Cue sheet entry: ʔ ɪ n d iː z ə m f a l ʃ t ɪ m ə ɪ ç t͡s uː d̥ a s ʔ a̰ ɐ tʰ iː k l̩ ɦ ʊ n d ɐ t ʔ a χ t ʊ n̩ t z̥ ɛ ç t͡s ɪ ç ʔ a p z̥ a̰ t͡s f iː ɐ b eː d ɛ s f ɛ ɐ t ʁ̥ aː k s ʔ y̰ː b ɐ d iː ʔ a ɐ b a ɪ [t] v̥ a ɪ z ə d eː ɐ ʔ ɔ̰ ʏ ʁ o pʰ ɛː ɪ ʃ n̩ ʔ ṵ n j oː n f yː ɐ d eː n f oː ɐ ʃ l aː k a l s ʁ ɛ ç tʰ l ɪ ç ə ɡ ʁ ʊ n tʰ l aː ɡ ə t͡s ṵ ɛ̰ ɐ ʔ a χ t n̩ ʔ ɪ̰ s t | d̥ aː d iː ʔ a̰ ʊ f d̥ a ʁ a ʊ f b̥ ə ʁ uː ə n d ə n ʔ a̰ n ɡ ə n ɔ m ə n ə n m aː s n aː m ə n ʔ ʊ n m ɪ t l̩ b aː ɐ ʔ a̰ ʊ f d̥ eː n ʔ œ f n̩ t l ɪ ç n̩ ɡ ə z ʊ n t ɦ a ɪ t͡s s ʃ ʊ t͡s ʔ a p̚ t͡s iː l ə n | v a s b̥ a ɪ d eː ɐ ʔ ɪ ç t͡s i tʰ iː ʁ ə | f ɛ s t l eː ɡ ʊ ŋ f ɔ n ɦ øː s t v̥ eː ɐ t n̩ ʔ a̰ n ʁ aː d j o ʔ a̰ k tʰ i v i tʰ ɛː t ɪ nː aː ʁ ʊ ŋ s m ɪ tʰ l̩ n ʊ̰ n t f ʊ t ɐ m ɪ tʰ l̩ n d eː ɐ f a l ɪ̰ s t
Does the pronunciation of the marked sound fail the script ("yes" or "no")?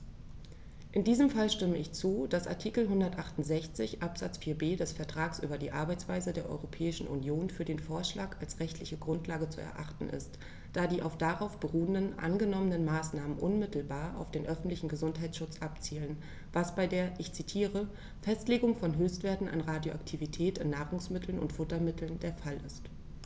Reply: yes